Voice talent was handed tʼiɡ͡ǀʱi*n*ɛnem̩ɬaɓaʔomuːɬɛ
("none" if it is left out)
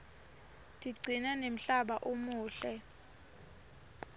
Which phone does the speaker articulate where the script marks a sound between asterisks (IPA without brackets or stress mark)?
n